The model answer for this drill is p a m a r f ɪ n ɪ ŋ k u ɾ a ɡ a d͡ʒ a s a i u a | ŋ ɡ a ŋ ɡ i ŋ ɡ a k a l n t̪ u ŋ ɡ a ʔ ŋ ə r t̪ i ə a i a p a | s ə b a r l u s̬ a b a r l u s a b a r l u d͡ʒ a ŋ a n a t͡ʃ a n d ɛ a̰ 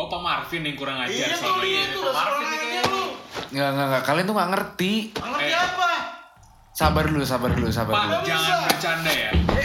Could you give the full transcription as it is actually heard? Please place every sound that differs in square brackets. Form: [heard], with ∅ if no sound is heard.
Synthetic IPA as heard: p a m a r f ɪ n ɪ ŋ k u ɾ a [ŋ] a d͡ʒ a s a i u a | ŋ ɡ a ŋ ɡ [a] ŋ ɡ a k a l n t̪ u ŋ ɡ a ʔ ŋ ə r t̪ i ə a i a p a | s [a] b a r l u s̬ a b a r l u s a b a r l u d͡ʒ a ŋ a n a t͡ʃ a n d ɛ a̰